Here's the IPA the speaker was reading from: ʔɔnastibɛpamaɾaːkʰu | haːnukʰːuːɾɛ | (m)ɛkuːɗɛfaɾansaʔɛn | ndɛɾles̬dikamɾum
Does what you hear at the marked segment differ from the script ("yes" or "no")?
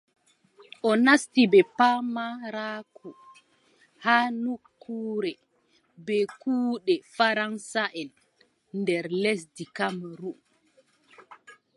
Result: yes